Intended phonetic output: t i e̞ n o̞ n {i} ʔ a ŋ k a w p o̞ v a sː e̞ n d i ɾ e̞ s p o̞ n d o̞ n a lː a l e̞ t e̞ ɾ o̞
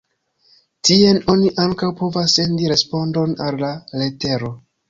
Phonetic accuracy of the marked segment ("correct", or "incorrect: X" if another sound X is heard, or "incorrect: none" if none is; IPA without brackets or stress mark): correct